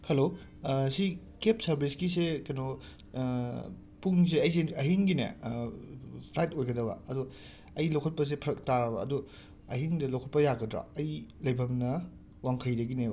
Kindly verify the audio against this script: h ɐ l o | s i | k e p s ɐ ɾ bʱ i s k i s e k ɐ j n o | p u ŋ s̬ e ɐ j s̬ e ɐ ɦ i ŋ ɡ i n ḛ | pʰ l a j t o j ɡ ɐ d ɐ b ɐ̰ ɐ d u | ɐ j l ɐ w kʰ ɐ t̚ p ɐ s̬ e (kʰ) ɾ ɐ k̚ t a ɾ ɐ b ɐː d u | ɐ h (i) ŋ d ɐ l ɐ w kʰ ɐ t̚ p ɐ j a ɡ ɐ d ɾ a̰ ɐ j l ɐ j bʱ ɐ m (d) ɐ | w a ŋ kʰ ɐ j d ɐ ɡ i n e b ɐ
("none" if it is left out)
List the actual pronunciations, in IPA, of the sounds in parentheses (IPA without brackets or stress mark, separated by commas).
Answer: pʰ, i, n